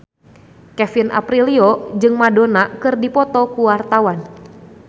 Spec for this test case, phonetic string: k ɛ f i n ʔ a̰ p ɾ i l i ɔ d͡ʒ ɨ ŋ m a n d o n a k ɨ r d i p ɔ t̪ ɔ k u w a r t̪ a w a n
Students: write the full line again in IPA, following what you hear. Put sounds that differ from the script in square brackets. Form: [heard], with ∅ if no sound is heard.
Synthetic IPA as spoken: k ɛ f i n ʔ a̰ p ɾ i l i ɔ d͡ʒ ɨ ŋ m a [∅] d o n a k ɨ r d i p ɔ t̪ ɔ k u w a r t̪ a w a n

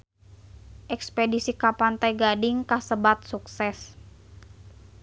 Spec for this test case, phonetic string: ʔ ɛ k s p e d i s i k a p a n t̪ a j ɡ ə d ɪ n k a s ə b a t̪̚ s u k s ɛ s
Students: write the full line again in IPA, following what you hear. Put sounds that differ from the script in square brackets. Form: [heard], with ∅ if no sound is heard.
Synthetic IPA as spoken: ʔ ɛ k s p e d i s i k a p a n t̪ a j ɡ [a] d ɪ [ŋ] k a s ə b a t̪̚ s u k s ɛ s

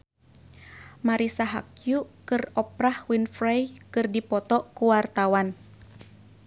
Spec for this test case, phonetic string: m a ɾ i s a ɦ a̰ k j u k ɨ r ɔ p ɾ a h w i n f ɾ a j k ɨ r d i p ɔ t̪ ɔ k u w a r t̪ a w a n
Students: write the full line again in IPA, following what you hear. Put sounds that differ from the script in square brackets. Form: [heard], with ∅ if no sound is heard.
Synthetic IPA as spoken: m a ɾ i s a ɦ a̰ k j u k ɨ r ɔ p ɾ a h w i n f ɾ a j k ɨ r d i p ɔ t̪ ɔ k u w a r t̪ a w a n

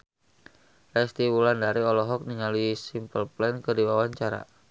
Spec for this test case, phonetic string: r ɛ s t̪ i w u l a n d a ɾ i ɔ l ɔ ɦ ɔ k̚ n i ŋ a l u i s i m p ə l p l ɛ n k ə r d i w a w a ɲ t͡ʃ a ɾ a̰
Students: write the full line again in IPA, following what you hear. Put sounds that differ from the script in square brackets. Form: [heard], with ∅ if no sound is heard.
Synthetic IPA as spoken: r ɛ s t̪ i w u l a n d a ɾ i ɔ l ɔ ɦ ɔ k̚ n i ŋ a l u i s i m p ə l p l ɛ n k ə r d i w a w a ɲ t͡ʃ a ɾ a̰

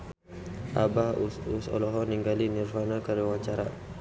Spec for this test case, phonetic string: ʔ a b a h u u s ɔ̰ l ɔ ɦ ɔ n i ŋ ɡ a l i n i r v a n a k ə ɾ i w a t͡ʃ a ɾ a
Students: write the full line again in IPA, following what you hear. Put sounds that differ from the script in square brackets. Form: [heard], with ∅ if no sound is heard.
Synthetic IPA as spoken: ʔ a b a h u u s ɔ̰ l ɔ ɦ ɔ n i ŋ ɡ a l i n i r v a n a k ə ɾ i w a t͡ʃ a ɾ a

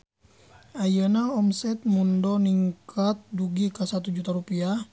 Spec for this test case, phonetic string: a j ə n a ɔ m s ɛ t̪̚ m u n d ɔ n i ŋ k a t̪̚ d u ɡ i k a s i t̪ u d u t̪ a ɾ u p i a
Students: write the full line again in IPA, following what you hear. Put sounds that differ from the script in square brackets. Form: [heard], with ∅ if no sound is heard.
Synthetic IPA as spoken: a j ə n a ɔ m s ɛ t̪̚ m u n d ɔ n i ŋ k a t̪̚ d u ɡ i k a s [a] t̪ u [d͡ʒ] u t̪ a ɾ u p i a

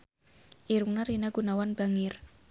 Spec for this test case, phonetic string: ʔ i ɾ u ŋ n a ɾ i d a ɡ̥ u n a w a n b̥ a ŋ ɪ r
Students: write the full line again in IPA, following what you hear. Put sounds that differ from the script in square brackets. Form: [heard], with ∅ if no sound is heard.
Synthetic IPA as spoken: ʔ i ɾ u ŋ n a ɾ i [n] a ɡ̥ u n a w a n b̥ a ŋ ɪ r

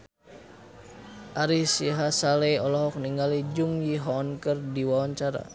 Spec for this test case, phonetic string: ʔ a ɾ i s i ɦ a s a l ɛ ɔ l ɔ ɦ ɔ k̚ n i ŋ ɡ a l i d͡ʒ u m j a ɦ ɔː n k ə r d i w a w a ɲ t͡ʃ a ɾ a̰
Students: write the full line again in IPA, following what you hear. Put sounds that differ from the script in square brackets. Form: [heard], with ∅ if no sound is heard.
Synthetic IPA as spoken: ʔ a ɾ i s i ɦ a s a l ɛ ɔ l ɔ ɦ ɔ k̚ n i ŋ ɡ a l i d͡ʒ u [ŋ] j [i] ɦ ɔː n k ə r d i w a w a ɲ t͡ʃ a ɾ a̰

